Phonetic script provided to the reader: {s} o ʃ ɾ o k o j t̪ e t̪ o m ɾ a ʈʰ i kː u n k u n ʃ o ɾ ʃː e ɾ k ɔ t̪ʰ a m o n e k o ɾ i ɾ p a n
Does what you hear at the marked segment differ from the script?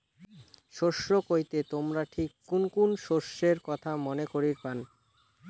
yes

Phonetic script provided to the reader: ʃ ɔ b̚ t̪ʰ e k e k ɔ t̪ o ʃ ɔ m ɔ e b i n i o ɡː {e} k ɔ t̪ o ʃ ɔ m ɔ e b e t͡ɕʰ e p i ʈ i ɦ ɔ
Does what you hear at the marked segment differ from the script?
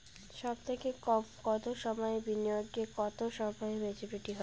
no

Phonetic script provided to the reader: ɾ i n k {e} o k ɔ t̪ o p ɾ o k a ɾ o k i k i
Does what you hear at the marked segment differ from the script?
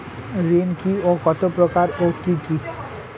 yes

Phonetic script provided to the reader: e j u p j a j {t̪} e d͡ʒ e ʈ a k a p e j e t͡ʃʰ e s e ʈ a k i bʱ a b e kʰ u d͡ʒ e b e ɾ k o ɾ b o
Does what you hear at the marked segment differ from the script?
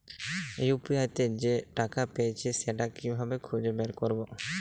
no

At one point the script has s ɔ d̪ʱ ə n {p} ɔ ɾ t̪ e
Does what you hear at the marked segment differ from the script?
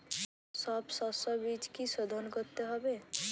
yes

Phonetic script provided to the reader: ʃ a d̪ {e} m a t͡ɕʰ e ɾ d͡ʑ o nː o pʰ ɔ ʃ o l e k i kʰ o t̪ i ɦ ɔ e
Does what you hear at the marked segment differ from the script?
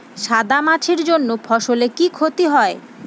yes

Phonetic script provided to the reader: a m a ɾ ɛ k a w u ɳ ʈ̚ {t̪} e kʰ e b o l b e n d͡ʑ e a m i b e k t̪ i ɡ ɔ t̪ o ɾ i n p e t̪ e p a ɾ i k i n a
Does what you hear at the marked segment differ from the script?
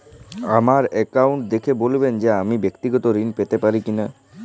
yes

